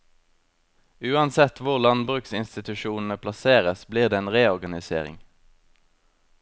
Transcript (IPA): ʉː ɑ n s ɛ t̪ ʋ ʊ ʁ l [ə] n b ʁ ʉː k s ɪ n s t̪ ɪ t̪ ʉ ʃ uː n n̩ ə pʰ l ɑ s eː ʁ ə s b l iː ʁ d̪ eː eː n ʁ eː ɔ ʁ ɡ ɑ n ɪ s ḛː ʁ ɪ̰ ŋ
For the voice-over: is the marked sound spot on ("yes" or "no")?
no